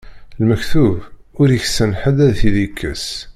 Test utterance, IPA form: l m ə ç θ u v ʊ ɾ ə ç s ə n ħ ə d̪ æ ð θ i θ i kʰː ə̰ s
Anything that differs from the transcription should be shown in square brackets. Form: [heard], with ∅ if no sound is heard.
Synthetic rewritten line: l m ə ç θ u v ʊ ɾ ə ç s ə n ħ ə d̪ æ ð θ i [ð] i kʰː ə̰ s